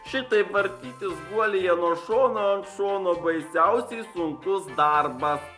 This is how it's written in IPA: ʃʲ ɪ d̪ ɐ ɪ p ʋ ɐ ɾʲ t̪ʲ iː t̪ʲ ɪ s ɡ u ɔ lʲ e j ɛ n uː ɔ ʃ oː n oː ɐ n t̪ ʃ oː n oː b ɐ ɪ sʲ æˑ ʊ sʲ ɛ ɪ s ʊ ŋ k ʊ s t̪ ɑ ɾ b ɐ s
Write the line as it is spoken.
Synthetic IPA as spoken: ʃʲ ɪ t̪ ɐ ɪ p ʋ ɐ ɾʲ t̪ʲ iː t̪ʲ ɪ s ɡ u ɔ lʲ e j ɛ n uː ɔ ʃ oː n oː ɐ n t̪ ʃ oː n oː b ɐ ɪ sʲ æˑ ʊ sʲ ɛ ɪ s ʊ ŋ k ʊ s d̪ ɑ ɾ b ɐ s

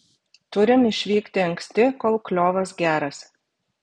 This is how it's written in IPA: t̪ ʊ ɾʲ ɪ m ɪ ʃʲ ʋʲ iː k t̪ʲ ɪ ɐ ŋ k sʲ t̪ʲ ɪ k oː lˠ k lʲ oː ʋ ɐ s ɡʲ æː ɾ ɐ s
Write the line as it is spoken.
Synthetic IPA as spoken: t̪ ʊ ɾʲ ɪ m ɪ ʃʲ ʋʲ iː k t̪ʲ ɪ ɐ ŋ k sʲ t̪ʲ ɪ k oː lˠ k lʲ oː ʋ ɐ s ɡʲ æː ɾ ɐ s

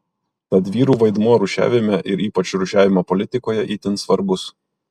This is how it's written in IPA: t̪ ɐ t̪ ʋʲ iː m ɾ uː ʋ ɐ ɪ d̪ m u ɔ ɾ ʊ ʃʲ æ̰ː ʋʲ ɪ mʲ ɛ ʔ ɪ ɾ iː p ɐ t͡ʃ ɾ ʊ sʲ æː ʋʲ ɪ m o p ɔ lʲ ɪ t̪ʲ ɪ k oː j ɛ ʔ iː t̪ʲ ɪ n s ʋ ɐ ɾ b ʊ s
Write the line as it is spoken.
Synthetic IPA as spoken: t̪ ɐ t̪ ʋʲ iː ɾ uː ʋ ɐ ɪ d̪ m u ɔ ɾ ʊ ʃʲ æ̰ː ʋʲ ɪ mʲ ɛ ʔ ɪ ɾ iː p ɐ t͡ʃ ɾ ʊ ʃʲ æː ʋʲ ɪ m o p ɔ lʲ ɪ t̪ʲ ɪ k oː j ɛ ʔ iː t̪ʲ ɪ n s ʋ ɐ ɾ b ʊ s

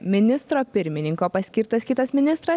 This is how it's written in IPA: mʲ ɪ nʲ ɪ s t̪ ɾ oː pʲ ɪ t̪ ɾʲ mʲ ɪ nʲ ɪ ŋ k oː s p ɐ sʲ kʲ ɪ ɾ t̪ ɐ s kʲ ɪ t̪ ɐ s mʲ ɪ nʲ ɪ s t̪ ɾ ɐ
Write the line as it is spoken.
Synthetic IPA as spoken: mʲ ɪ nʲ ɪ s t̪ ɾ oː pʲ ɪ ɾʲ mʲ ɪ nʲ ɪ ŋ k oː p ɐ sʲ kʲ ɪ ɾ t̪ ɐ s kʲ ɪ t̪ ɐ s mʲ ɪ nʲ ɪ s t̪ ɾ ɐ

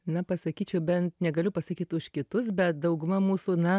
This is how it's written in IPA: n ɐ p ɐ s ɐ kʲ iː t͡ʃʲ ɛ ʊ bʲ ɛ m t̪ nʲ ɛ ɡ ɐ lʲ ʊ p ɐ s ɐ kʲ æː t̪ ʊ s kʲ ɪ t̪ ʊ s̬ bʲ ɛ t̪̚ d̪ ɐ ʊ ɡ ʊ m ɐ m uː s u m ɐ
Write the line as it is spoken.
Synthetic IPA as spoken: n ɐ p ɐ s ɐ kʲ iː t͡ʃʲ ɛ ʊ bʲ ɛ n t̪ nʲ ɛ ɡ ɐ lʲ ʊ p ɐ s ɐ kʲ iː t̪ ʊ ʃ kʲ ɪ t̪ ʊ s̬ bʲ ɛ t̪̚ d̪ ɐ ʊ ɡ ʊ m ɐ m uː s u n ɐ

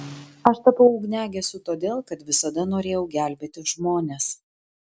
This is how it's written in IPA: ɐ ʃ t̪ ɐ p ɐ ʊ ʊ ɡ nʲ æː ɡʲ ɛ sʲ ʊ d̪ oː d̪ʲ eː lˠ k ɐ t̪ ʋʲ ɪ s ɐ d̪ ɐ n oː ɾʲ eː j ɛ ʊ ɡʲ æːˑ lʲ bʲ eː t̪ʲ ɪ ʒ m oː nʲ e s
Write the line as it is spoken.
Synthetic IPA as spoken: ɐ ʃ t̪ ɐ p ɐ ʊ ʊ ɡ nʲ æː ɡʲ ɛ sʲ ʊ t̪ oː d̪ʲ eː lˠ k ɐ t̪ ʋʲ ɪ s ɐ d̪ ɐ n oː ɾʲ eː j ɛ ʊ ɡʲ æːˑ lʲ bʲ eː t̪ʲ ɪ ʒ m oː nʲ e s

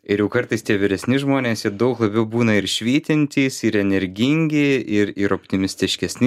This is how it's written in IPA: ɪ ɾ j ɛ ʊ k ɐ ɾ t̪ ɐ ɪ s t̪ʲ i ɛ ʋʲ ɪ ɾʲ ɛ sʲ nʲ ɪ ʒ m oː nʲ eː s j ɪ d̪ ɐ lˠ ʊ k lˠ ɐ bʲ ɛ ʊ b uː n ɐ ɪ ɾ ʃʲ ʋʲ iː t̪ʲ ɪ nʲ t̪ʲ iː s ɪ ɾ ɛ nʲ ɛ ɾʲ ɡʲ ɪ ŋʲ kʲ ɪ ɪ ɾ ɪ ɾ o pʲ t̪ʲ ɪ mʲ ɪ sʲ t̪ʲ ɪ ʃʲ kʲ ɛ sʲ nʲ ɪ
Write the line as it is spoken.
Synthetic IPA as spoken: ɪ ɾ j ɛ ʊ k ɐ ɾ t̪ ɐ ɪ s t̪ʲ i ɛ ʋʲ ɪ ɾʲ ɛ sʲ nʲ ɪ ʒ m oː nʲ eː s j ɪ d̪ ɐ ʊ k lˠ ɐ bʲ ɛ ʊ b uː n ɐ ɪ ɾ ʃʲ ʋʲ iː t̪ʲ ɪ nʲ t̪ʲ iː s ɪ ɾ ɛ nʲ ɛ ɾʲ ɡʲ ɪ ŋʲ ɡʲ ɪ ɪ ɾ ɪ ɾ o pʲ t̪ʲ ɪ mʲ ɪ sʲ t̪ʲ ɪ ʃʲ kʲ ɛ sʲ nʲ ɪ

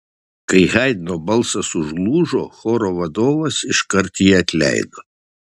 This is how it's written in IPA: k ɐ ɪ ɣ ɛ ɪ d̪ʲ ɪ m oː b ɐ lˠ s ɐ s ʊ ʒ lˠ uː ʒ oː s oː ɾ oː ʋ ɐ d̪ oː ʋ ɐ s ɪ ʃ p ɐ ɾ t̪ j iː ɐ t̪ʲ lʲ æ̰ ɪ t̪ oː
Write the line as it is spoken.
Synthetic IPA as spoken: k ɐ ɪ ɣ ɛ ɪ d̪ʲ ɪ n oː b ɐ lˠ s ɐ s ʊ ʒ lˠ uː ʒ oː x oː ɾ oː ʋ ɐ d̪ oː ʋ ɐ s ɪ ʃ k ɐ ɾ t̪ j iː ɐ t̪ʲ lʲ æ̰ ɪ d̪ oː

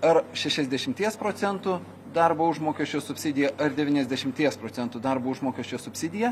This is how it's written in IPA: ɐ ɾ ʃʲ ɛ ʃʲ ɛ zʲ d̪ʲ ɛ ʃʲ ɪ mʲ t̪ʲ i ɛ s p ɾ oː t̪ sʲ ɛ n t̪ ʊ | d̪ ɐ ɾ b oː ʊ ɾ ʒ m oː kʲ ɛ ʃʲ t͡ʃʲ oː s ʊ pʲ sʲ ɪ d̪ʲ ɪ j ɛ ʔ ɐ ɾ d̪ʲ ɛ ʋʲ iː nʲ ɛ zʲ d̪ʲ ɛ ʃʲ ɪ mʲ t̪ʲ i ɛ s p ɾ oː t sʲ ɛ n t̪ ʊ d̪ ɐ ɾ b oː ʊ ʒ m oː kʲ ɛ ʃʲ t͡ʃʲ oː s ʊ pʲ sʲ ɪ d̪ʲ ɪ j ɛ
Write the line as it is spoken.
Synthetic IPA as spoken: ɐ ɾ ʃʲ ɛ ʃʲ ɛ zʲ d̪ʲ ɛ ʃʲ ɪ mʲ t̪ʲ i ɛ s p ɾ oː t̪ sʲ ɛ n t̪ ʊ | d̪ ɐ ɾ b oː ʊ ʒ m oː kʲ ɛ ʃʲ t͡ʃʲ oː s ʊ pʲ sʲ ɪ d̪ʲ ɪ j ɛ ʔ ɐ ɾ d̪ʲ ɛ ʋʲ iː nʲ ɛ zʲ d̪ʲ ɛ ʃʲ ɪ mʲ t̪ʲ i ɛ s p ɾ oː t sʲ ɛ n t̪ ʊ d̪ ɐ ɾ b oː ʊ ʒ m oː kʲ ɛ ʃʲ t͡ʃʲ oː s ʊ pʲ sʲ ɪ d̪ʲ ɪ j ɛ

